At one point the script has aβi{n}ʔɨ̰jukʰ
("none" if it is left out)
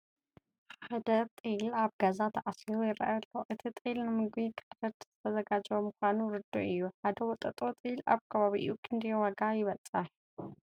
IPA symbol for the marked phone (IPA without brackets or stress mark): none